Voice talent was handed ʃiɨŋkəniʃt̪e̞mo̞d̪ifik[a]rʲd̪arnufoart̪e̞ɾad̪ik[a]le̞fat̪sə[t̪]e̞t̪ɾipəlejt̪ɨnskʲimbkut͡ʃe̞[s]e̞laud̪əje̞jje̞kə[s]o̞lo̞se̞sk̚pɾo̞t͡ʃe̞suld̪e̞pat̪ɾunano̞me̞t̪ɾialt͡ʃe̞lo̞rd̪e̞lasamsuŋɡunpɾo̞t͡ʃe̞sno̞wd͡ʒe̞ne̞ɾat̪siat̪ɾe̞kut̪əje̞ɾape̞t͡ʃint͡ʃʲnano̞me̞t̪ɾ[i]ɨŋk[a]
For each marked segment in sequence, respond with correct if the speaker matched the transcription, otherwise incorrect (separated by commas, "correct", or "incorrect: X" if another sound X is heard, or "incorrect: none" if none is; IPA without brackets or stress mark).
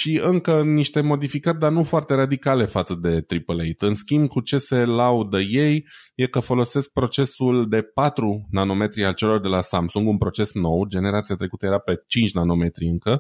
incorrect: ə, correct, incorrect: d̪, correct, incorrect: f, correct, incorrect: ə